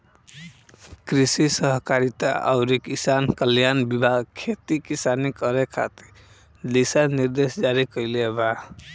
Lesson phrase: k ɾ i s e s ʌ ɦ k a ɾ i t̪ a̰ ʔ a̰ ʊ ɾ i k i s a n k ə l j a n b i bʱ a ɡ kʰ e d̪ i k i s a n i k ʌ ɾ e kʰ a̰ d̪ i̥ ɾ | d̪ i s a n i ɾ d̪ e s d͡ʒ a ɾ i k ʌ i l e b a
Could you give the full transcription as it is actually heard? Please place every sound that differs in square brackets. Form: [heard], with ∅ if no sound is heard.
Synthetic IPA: k ɾ i s [i] s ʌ ɦ k a ɾ i t̪ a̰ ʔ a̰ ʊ ɾ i k i s a n k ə l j a n b i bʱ a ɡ kʰ e [t̪] i k i s a n i k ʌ ɾ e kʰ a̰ [t̪] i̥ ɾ | d̪ i s a n i ɾ d̪ e s d͡ʒ a ɾ i k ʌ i l e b a